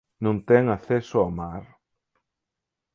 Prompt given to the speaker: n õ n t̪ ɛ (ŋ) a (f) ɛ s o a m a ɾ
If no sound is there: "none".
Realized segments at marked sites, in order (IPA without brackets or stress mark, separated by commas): ŋ, θ